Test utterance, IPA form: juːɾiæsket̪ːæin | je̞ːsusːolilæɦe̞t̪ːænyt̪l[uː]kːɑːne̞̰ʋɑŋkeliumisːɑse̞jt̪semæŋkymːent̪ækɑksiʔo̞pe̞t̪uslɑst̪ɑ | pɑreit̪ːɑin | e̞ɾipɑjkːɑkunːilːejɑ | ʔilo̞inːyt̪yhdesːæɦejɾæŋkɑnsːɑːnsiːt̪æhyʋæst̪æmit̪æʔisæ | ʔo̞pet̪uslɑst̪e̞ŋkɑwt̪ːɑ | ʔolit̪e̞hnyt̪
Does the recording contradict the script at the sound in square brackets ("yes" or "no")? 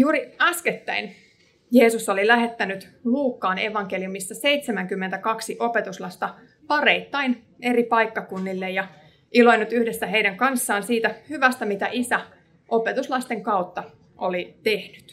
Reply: no